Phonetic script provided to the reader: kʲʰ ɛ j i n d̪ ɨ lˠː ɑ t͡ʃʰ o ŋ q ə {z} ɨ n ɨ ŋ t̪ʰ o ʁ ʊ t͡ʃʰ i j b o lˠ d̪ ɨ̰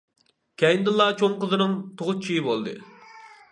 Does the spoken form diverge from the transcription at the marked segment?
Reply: no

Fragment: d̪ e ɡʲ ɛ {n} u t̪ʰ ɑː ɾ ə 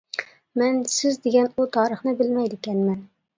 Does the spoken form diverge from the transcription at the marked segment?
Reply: no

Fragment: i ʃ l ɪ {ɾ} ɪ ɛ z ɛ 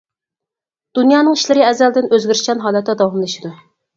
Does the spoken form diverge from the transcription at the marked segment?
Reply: no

